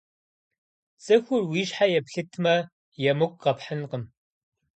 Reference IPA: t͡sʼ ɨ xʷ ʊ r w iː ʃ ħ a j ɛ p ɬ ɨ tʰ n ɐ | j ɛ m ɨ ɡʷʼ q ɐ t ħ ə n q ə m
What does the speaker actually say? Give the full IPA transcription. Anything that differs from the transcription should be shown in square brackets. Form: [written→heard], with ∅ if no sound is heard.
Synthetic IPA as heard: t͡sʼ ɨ xʷ ʊ r w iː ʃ ħ a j ɛ p ɬ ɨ tʰ [n→m] ɐ | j ɛ m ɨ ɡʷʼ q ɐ [t→p] ħ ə n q ə m